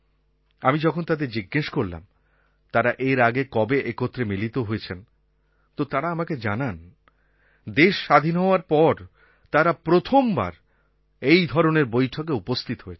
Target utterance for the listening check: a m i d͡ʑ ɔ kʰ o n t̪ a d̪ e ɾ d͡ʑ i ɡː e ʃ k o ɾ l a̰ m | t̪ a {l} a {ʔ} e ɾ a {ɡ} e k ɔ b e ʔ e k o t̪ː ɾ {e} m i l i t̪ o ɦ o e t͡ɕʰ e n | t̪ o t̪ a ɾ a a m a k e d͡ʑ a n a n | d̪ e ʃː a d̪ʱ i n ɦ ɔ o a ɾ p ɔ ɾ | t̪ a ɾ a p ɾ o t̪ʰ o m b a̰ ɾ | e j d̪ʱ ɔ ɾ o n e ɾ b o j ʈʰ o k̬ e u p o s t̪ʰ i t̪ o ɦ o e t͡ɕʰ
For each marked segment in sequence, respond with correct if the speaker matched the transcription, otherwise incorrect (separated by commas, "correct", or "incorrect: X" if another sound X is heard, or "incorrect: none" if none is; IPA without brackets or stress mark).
incorrect: ɾ, correct, correct, correct